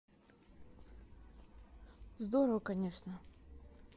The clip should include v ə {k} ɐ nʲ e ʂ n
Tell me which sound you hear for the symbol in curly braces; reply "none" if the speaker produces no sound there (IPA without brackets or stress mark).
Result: k